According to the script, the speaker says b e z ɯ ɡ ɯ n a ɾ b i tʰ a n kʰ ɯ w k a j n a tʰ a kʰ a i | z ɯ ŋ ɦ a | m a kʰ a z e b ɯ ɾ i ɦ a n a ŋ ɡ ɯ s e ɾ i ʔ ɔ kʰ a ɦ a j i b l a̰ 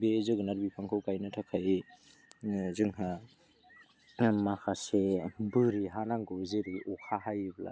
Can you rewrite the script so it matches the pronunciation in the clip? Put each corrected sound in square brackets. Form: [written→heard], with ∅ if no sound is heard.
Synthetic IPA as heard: b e z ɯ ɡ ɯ n a ɾ b i [tʰ→pʰ] a [n→ŋ] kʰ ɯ w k a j n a tʰ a kʰ a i | z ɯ ŋ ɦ a | m a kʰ a [z→s] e b ɯ ɾ i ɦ a n a ŋ ɡ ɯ [s→z] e ɾ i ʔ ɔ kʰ a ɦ a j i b l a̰